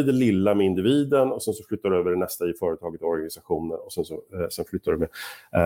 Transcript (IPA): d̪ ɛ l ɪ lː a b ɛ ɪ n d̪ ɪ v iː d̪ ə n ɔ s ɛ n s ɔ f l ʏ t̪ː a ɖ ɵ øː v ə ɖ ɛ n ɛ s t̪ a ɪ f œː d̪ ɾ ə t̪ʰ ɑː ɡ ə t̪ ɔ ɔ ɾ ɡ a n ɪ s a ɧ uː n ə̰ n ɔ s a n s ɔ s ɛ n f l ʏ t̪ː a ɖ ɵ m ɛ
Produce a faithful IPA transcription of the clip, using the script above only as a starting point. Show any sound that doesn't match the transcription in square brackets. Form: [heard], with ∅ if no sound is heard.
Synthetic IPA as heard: d̪ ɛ l ɪ lː a [m] ɛ ɪ n d̪ ɪ v iː d̪ ə n ɔ s ɛ n s ɔ f l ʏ t̪ː a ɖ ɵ øː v ə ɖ ɛ n ɛ s t̪ a ɪ f œː [∅] ɾ ə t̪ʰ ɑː ɡ ə t̪ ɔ ɔ ɾ ɡ a n ɪ s a ɧ uː n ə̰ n ɔ s [ɛ] n s ɔ s ɛ n f l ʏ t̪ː a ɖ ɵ m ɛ